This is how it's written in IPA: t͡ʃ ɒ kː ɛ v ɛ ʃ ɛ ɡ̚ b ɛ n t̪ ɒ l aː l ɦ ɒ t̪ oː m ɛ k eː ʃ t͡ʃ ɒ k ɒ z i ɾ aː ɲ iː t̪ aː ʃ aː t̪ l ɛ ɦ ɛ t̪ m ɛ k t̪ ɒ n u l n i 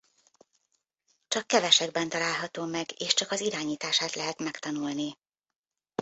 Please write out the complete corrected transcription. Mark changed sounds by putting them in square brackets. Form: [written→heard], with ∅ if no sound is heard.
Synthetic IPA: t͡ʃ ɒ kː ɛ v ɛ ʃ ɛ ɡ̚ b ɛ n t̪ ɒ l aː l ɦ ɒ t̪ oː m ɛ [k→ɡ] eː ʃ t͡ʃ ɒ k ɒ z i ɾ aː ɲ iː t̪ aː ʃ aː t̪ l ɛ ɦ ɛ t̪ m ɛ k t̪ ɒ n u l n i